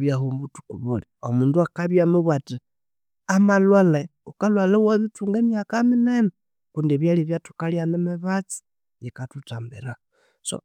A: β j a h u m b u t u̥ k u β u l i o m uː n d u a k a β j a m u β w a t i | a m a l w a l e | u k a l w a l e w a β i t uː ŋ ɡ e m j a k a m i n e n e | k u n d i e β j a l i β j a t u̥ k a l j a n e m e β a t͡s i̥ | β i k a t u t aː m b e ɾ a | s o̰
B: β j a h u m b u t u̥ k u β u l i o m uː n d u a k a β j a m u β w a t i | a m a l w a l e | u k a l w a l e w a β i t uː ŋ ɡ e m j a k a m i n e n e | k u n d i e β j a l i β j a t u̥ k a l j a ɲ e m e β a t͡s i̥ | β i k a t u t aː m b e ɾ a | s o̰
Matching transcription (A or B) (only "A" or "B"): A